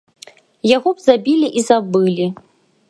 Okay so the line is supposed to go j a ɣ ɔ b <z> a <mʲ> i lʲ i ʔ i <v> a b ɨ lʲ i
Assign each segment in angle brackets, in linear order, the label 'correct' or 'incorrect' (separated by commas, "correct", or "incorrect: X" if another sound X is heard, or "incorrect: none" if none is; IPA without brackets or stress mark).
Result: correct, incorrect: bʲ, incorrect: z